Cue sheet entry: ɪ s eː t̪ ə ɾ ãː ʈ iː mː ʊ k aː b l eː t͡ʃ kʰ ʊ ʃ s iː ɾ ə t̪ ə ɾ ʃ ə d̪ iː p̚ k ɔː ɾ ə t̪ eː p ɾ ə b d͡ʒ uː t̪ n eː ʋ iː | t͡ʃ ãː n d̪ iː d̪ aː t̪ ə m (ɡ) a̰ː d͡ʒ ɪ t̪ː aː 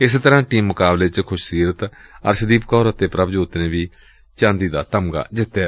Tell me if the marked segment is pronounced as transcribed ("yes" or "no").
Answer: yes